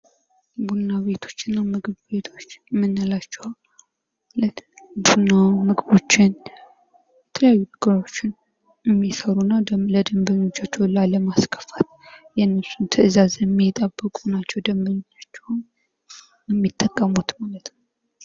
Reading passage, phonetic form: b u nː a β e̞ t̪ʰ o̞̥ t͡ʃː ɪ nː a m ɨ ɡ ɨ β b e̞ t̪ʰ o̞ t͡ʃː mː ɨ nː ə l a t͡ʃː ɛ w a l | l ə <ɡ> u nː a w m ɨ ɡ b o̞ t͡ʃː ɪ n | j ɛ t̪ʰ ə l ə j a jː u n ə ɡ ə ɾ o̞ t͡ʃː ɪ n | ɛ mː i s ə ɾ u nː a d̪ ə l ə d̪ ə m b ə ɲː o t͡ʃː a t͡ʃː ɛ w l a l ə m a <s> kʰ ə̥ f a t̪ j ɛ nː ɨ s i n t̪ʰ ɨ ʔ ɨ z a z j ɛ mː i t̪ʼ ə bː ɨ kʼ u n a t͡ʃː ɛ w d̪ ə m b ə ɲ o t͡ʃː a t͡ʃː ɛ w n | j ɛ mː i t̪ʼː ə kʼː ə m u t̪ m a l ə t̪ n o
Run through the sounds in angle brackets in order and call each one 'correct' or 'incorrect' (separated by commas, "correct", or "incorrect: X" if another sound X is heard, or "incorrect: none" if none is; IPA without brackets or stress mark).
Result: incorrect: b, correct